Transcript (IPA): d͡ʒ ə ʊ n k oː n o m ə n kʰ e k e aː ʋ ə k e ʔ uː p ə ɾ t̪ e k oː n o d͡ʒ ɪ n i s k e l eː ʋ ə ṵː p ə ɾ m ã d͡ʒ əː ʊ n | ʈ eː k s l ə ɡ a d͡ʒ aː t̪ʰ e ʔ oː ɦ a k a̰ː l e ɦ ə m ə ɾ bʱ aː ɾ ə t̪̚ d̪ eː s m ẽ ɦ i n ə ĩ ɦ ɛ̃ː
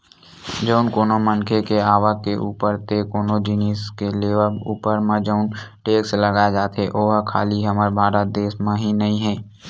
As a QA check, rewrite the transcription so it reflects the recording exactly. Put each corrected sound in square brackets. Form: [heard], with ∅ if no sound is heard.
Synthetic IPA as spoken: d͡ʒ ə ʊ n k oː n o m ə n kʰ e k e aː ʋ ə k e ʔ uː p ə ɾ t̪ e k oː n o d͡ʒ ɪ n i s k e l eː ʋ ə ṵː p ə ɾ m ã d͡ʒ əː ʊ n | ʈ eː k s l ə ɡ a d͡ʒ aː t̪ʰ e ʔ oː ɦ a [kʰ] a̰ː l [i] ɦ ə m ə ɾ bʱ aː ɾ ə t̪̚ d̪ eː s m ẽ ɦ i n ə ĩ ɦ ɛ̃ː

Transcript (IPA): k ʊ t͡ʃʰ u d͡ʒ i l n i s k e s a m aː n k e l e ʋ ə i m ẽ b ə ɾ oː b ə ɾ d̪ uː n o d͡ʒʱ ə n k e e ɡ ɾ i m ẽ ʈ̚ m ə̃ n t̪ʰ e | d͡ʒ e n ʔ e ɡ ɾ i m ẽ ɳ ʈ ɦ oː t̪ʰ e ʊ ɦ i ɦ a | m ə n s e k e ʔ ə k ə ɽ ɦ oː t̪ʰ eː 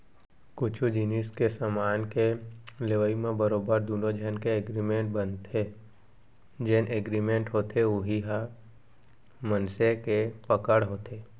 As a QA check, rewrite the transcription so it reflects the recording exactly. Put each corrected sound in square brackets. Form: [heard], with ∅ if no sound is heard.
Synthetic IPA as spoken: k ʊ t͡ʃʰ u d͡ʒ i [∅] n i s k e s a m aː n k e l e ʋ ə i m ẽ b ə ɾ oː b ə ɾ d̪ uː n o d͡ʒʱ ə n k e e ɡ ɾ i m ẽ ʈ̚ [b] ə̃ n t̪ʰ e | d͡ʒ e n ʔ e ɡ ɾ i m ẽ ɳ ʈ ɦ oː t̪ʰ e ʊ ɦ i ɦ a | m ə n s e k e [p] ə k ə ɽ ɦ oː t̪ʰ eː

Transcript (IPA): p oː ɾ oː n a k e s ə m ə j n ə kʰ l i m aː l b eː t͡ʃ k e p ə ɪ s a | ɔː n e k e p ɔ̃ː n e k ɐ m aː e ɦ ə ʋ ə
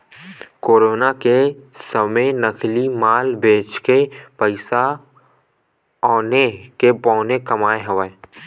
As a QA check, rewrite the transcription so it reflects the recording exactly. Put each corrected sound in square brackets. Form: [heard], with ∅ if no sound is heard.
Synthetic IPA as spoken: [k] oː ɾ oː n a k e s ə m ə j n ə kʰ l i m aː l b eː t͡ʃ k e p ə ɪ s a | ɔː n e k e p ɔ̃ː n e k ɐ m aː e ɦ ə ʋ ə

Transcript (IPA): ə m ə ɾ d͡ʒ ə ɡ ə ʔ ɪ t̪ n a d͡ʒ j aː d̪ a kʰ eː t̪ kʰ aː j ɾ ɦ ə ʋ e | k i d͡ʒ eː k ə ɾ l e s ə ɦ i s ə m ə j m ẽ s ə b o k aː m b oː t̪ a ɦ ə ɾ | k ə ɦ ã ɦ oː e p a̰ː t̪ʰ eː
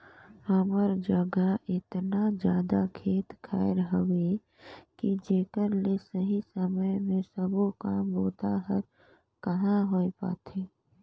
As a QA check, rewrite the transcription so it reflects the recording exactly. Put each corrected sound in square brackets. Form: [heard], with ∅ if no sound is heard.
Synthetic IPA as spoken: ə m ə ɾ d͡ʒ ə ɡ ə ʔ ɪ t̪ n a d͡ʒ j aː d̪ a kʰ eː t̪ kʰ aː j ɾ ɦ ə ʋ e | k i d͡ʒ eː k ə ɾ l e s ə ɦ i s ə m ə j m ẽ s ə b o k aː m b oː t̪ a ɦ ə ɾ | k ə ɦ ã ɦ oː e p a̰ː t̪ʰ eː

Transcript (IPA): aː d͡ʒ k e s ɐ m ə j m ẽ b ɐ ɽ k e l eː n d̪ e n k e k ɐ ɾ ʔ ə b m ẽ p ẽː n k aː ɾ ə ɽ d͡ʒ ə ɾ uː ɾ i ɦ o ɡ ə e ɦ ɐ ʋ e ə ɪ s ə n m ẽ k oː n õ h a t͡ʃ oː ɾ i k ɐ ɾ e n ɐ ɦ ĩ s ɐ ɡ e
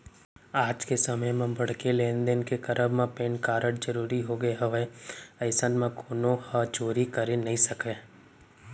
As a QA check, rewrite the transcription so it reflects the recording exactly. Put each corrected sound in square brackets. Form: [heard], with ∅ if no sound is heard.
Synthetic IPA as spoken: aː d͡ʒ k e s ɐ m ə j m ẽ b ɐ ɽ k e l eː n d̪ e n k e k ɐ ɾ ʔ ə b m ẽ p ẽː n k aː ɾ ə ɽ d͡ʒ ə ɾ uː ɾ i ɦ o ɡ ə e ɦ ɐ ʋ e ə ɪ s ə n m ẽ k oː n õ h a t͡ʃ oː ɾ i k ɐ ɾ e n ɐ ɦ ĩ s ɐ [k] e

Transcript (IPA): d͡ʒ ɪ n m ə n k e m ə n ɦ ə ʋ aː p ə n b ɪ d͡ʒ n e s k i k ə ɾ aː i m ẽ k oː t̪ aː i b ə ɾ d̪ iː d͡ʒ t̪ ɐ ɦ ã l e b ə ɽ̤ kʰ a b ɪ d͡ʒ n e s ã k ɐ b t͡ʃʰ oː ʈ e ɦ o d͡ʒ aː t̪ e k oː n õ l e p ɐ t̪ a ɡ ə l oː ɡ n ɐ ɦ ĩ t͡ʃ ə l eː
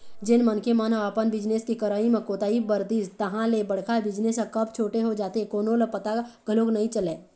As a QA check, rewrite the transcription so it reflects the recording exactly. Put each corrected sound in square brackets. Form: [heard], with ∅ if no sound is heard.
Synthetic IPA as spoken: d͡ʒ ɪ n m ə n k e m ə n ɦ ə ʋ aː p ə n b ɪ d͡ʒ n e s k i k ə ɾ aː i m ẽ k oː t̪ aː i b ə ɾ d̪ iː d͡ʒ t̪ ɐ ɦ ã l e b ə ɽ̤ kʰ a b ɪ d͡ʒ n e s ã k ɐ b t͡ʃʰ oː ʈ e ɦ o d͡ʒ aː t̪ e k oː n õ l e p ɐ t̪ a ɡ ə l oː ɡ n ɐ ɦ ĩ t͡ʃ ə l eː

